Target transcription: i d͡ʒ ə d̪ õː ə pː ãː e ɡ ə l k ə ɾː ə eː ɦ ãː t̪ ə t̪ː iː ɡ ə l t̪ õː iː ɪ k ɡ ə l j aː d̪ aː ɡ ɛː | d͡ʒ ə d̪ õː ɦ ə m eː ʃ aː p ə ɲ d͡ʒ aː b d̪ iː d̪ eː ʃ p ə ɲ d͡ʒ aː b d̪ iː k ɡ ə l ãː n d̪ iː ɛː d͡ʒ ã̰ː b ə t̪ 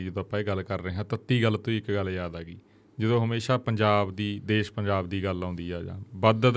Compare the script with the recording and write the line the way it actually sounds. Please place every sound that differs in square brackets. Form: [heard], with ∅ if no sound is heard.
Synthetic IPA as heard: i d͡ʒ ə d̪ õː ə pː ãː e ɡ ə l k ə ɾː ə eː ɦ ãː t̪ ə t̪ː iː ɡ ə l t̪ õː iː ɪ k ɡ ə l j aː d̪ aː ɡ [iː] | d͡ʒ ə d̪ õː ɦ ə m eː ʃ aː p ə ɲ d͡ʒ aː b d̪ iː d̪ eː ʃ p ə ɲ d͡ʒ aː b d̪ iː [∅] ɡ ə l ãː n d̪ iː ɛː d͡ʒ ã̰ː b ə [d̪]